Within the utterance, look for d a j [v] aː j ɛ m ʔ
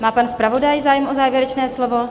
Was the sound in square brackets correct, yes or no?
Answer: no